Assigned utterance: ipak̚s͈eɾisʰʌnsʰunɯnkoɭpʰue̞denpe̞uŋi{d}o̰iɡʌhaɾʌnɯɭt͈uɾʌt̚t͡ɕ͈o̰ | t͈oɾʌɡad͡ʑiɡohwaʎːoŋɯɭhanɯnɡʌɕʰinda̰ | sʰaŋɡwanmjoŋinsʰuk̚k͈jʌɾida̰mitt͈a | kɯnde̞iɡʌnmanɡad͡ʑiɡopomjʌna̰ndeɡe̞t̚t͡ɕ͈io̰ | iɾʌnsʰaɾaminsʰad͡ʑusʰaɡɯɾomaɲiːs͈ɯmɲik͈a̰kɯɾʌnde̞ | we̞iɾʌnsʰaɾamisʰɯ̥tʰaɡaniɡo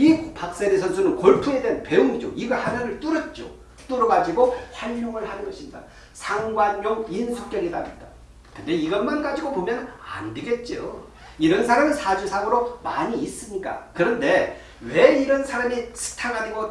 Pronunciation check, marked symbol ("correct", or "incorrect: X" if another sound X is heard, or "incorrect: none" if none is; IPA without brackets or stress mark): incorrect: d͡ʑ